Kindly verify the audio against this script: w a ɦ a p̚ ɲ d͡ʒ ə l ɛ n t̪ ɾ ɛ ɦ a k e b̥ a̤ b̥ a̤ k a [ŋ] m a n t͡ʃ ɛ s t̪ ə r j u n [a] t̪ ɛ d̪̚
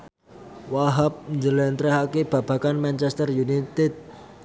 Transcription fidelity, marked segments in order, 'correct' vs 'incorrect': incorrect, incorrect

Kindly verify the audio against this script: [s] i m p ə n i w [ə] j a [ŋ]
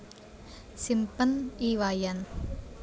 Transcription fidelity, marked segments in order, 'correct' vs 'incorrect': correct, incorrect, incorrect

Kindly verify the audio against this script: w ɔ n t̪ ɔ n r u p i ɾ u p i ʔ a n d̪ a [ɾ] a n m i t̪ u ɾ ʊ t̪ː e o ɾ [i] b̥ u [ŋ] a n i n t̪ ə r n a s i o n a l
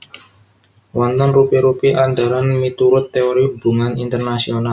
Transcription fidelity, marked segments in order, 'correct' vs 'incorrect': correct, correct, correct

